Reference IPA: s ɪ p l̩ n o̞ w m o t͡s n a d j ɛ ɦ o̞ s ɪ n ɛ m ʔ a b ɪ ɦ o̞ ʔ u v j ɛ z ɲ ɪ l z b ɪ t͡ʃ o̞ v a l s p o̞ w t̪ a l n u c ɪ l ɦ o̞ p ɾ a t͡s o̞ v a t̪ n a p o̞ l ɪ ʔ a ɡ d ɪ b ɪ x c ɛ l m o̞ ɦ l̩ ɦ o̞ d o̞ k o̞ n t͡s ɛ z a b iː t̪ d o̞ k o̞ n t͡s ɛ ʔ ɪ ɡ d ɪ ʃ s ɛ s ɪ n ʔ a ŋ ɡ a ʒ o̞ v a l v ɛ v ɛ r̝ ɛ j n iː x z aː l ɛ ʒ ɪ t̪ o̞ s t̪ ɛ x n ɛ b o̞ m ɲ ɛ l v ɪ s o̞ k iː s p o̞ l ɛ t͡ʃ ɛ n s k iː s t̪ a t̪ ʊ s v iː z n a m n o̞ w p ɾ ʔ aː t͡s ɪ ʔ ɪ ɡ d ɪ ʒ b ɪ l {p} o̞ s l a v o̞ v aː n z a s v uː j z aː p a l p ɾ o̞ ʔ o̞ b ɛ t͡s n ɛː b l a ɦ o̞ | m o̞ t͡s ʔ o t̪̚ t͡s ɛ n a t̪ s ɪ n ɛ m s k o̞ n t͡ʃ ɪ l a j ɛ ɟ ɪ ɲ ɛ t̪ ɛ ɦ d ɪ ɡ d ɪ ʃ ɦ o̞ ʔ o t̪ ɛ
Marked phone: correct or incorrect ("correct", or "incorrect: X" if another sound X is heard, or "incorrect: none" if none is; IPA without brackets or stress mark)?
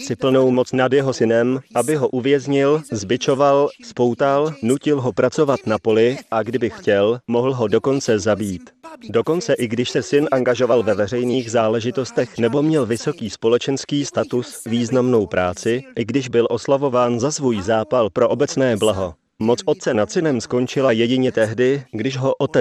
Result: incorrect: ʔ